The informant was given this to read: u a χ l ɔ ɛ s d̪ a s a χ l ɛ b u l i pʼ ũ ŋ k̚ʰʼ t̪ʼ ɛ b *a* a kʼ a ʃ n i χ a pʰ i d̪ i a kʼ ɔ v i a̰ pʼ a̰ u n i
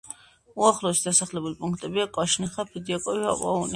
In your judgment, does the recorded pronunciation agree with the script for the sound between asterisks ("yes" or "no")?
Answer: no